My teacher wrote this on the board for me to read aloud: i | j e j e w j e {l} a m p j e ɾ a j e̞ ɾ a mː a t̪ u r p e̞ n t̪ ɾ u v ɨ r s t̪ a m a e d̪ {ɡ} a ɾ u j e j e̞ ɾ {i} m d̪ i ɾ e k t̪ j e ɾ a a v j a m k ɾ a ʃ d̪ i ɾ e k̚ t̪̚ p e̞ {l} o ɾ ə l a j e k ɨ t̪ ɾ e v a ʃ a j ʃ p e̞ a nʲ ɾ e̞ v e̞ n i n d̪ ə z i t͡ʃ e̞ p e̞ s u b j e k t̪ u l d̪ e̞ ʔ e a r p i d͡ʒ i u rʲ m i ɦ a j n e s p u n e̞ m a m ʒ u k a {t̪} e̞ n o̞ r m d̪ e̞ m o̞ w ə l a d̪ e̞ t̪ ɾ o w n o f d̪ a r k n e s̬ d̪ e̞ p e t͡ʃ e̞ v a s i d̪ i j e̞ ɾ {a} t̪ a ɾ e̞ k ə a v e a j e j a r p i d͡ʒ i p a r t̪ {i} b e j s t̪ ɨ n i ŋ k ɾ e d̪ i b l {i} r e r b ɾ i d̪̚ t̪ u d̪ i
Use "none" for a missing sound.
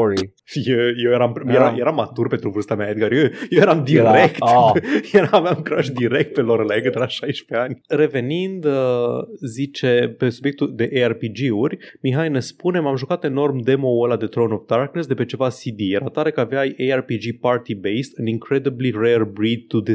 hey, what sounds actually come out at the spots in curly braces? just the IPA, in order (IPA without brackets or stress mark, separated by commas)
ɾ, ɡ, a, l, t̪, a, i, i